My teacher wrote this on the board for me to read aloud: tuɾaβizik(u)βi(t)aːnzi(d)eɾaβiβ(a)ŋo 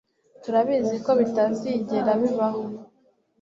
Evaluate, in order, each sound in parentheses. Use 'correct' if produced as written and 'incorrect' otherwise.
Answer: incorrect, correct, incorrect, correct

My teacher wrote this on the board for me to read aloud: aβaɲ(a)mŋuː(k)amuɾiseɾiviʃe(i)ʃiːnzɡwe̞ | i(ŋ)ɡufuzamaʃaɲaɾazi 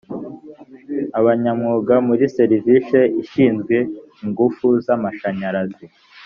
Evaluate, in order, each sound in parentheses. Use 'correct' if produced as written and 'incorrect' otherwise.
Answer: correct, incorrect, correct, correct

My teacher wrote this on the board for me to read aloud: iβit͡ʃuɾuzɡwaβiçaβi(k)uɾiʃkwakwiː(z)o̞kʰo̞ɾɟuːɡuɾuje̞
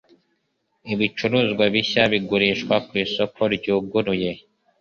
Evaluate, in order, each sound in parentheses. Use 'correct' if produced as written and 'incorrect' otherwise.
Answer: incorrect, incorrect

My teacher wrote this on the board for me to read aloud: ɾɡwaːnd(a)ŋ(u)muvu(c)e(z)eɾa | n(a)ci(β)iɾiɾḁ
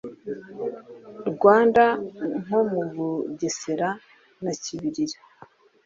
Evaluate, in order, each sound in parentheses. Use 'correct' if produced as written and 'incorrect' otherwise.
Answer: correct, incorrect, incorrect, incorrect, correct, correct

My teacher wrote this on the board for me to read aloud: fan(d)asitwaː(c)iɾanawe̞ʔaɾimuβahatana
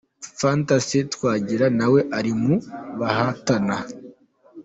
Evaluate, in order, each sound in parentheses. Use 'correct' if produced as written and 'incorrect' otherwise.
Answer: incorrect, incorrect

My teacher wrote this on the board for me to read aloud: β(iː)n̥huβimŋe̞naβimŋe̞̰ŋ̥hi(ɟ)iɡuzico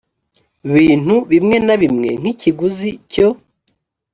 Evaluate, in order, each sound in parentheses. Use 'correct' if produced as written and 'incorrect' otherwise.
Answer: correct, incorrect

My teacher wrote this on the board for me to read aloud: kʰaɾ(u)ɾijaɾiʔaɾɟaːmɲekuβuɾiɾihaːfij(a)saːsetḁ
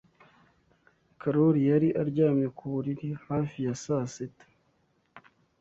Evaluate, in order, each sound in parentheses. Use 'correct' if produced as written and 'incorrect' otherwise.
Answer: incorrect, correct

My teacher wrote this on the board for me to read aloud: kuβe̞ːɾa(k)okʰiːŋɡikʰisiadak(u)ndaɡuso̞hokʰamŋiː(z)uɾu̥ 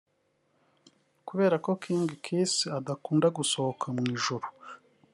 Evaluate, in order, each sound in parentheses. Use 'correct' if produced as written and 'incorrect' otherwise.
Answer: correct, incorrect, incorrect

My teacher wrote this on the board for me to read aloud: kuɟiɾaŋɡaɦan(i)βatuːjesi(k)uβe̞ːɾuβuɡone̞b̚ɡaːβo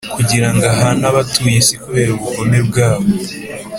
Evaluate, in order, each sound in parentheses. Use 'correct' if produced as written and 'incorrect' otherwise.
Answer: incorrect, correct

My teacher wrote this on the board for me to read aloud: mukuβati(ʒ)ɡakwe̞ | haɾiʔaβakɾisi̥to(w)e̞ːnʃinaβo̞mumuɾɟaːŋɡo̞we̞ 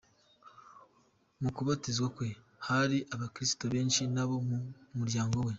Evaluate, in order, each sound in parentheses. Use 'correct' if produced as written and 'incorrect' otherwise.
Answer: incorrect, incorrect

